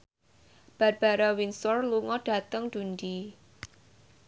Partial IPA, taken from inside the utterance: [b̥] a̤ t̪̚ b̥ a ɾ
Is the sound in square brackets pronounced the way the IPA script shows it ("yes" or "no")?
yes